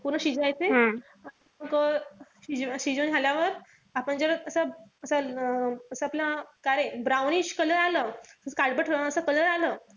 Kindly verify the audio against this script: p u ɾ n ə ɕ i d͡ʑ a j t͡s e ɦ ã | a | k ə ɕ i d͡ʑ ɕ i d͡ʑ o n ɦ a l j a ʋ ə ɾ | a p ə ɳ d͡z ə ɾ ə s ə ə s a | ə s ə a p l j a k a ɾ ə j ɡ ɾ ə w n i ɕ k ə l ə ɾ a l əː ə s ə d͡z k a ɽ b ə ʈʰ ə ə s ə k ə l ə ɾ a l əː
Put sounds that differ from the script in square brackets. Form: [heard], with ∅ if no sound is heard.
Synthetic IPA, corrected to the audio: p u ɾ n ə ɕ i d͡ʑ a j t͡s e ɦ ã | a | k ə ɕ i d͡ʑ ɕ i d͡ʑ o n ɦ a l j a ʋ ə ɾ | a p ə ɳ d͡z ə ɾ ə s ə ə s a | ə s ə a p l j a k a ɾ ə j [b] ɾ [a] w n i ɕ k ə l ə ɾ a l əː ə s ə [∅] k a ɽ b ə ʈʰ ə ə s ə k ə l ə ɾ a l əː